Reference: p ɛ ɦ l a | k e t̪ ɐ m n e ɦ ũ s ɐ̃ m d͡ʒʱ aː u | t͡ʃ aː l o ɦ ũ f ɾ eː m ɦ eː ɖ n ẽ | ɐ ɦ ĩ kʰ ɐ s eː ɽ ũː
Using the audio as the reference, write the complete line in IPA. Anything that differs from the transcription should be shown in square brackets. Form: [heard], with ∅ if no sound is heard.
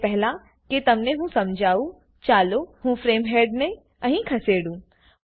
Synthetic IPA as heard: p ɛ ɦ l a | k e t̪ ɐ m n e ɦ ũ s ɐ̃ m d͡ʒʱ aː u | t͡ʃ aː l o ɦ ũ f ɾ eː m ɦ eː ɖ n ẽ | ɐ ɦ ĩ kʰ ɐ s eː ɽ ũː